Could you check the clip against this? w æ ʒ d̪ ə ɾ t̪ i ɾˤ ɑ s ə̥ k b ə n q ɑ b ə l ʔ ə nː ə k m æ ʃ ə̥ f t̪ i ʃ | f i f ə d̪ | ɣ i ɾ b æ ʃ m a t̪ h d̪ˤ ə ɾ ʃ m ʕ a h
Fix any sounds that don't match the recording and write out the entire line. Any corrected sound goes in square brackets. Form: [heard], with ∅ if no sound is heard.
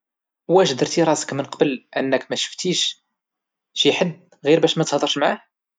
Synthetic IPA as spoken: w æ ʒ d̪ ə ɾ t̪ i ɾˤ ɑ s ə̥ k [m] ə n q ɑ b ə l ʔ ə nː ə k m æ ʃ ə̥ f t̪ i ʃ | [ʃ] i [ħ] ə d̪ | ɣ i ɾ b æ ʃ m [æ] t̪ h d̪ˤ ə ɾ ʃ m ʕ a h

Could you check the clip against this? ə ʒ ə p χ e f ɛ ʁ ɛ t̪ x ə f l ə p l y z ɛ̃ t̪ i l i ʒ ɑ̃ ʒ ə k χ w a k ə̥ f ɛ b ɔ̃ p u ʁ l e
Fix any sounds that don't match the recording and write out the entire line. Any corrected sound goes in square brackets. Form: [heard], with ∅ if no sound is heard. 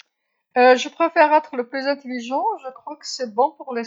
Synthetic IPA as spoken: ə ʒ ə p χ e f ɛ ʁ ɛ t̪ [χ] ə [∅] l ə p l y z ɛ̃ t̪ [e] l i ʒ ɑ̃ ʒ ə k χ w a k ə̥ [s] ɛ b ɔ̃ p u ʁ l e

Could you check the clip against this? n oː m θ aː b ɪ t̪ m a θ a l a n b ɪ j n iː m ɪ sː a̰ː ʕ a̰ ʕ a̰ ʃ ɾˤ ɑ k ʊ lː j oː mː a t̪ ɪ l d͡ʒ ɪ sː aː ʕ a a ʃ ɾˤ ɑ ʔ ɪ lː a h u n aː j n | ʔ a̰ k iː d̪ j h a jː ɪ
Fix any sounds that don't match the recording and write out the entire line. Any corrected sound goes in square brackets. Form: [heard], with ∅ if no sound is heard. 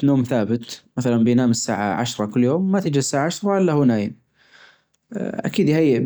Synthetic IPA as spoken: n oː m θ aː b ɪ t̪ m a θ a l a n b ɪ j n [aː] m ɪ sː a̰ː ʕ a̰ ʕ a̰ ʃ ɾˤ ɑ k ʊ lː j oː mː a t̪ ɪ [∅] d͡ʒ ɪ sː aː ʕ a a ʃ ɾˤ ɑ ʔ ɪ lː a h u n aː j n | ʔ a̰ k iː d̪ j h a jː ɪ

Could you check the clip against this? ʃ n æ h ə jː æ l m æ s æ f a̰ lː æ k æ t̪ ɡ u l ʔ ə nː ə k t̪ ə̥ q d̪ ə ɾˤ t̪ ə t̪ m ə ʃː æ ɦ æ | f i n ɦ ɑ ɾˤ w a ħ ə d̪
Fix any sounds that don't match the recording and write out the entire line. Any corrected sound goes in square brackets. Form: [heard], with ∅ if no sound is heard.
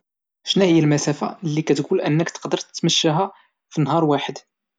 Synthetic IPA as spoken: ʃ n æ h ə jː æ l m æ s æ f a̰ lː [i] k æ t̪ ɡ u l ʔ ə nː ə k t̪ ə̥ q d̪ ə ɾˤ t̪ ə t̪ m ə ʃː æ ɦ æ | f i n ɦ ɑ ɾˤ w a ħ ə d̪

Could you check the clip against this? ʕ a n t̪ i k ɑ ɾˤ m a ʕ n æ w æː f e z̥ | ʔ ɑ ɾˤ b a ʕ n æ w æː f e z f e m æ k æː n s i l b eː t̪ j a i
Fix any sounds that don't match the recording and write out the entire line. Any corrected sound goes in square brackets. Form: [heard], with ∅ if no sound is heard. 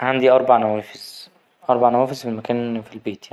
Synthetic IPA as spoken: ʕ a n [d̪] i [ʔ] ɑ ɾˤ [b] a ʕ n æ w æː f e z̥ | ʔ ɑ ɾˤ b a ʕ n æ w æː f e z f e m æ k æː n [f] i l b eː t̪ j a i

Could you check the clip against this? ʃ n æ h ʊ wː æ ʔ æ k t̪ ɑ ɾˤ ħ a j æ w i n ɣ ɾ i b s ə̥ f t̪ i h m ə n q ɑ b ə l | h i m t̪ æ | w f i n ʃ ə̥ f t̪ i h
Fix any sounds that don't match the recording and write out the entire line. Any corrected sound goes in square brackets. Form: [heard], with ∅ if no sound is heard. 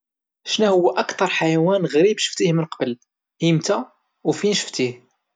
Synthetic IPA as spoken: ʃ n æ h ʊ wː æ ʔ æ k t̪ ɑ ɾˤ ħ a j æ w [æ] n ɣ ɾ i b [ʃ] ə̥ f t̪ i h m ə n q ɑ b ə l | h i m t̪ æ | w f i n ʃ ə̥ f t̪ i h

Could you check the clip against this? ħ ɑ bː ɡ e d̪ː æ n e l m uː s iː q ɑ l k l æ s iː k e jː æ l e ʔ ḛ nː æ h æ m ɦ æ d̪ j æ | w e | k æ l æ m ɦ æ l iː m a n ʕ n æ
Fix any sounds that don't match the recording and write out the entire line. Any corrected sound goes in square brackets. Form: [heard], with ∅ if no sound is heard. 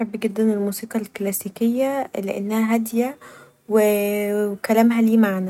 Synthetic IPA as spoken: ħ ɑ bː ɡ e d̪ː æ n e l m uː s iː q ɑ l k l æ s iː k e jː æ l e ʔ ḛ nː æ h æ [∅] ɦ æ d̪ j æ | w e | k æ l æ m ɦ æ l iː m a [∅] ʕ n æ

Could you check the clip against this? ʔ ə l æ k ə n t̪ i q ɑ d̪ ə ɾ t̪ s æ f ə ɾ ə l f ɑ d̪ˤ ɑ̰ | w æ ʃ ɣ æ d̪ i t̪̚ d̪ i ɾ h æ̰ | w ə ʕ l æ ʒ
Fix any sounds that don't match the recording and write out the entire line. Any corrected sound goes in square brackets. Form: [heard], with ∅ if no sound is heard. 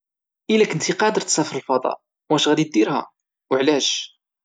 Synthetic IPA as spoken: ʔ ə l æ k ə n t̪ i q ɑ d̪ ə ɾ t̪ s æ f ə ɾ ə l f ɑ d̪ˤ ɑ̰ | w æ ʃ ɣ æ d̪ i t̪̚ d̪ i ɾ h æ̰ | w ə ʕ l æ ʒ

